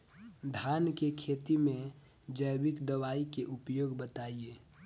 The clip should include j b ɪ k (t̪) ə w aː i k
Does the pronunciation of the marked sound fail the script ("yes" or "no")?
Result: yes